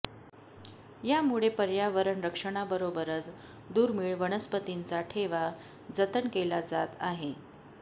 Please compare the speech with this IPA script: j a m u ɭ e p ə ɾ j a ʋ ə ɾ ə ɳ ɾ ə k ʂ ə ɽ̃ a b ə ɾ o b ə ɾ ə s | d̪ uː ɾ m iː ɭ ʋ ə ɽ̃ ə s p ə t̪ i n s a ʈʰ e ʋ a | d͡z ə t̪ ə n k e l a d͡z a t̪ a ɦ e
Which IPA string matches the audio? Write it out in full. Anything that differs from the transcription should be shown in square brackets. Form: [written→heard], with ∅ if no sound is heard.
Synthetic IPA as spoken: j a m u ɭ e p ə ɾ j a ʋ ə ɾ ə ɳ ɾ ə k ʂ ə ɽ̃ a b ə ɾ o b ə ɾ ə [s→t͡s] | d̪ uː ɾ m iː ɭ ʋ ə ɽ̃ ə s p ə t̪ i n [s→t͡s] a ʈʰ e ʋ a | d͡z ə t̪ ə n k e l a d͡z a t̪ a ɦ e